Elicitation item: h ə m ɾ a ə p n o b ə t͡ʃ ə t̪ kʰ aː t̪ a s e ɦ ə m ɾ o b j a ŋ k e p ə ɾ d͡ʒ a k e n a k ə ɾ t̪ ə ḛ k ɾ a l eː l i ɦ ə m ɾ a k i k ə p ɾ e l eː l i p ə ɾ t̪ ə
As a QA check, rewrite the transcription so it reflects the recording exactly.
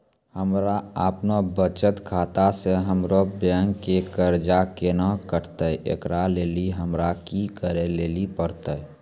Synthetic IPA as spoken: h ə m ɾ a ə p n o b ə t͡ʃ ə t̪ kʰ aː t̪ a s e ɦ ə m ɾ o b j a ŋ k e k ə ɾ d͡ʒ a k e n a k ə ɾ t̪ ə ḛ k ɾ a l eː l i ɦ ə m ɾ a k i k ə ɾ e l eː l i p ə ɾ t̪ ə